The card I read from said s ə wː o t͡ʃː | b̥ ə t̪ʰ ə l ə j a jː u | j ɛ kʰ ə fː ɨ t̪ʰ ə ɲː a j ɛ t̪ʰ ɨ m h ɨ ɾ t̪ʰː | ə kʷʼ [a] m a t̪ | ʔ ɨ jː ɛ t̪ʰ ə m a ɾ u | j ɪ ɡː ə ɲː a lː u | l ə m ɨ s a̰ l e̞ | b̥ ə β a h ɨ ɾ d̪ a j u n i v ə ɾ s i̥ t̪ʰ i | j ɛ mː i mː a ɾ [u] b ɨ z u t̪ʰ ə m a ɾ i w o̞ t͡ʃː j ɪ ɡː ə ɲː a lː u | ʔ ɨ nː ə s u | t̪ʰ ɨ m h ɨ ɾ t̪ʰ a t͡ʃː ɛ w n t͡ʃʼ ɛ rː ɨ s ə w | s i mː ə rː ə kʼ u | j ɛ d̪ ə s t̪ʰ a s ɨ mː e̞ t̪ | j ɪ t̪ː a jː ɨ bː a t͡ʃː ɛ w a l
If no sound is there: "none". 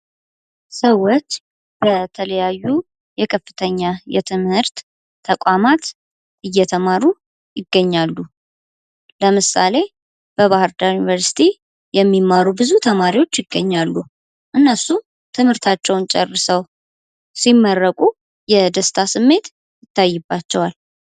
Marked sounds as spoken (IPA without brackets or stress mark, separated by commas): a, u